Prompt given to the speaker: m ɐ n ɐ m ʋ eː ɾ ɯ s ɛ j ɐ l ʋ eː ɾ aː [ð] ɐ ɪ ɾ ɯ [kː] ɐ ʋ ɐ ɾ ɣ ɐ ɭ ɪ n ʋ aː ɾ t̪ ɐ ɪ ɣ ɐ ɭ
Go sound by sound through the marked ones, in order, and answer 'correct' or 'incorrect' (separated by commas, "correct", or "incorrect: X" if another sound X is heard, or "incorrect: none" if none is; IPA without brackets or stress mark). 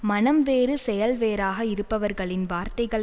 incorrect: ɣ, incorrect: pː